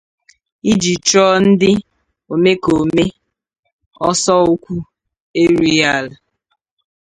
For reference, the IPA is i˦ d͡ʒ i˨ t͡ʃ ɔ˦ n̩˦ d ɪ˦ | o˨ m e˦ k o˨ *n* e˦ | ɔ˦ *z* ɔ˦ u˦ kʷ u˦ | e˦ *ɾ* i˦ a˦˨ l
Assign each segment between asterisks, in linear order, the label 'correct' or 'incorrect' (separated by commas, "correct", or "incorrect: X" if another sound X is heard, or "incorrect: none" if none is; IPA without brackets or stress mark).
incorrect: m, incorrect: s, correct